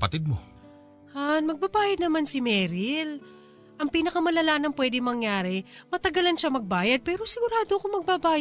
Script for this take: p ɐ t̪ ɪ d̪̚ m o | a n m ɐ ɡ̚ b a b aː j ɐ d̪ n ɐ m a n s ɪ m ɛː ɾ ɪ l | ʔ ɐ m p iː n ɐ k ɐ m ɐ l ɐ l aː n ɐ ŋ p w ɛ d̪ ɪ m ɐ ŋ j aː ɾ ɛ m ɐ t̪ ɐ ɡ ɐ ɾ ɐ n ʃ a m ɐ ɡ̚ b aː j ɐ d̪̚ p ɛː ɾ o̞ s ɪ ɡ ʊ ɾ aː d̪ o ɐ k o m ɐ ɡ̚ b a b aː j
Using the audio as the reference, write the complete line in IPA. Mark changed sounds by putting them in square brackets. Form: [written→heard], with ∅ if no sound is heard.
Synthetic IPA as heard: p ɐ t̪ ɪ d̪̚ m o | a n m ɐ ɡ̚ b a b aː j ɐ d̪ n ɐ m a n s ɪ m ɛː ɾ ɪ l | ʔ ɐ [m→ŋ] p iː n ɐ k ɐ m ɐ l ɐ l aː n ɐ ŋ p w ɛ d̪ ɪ m ɐ ŋ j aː ɾ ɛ m ɐ t̪ ɐ ɡ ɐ [ɾ→l] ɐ n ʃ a m ɐ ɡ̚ b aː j ɐ d̪̚ p ɛː ɾ o̞ s ɪ ɡ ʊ ɾ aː d̪ o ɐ k o m ɐ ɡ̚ b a b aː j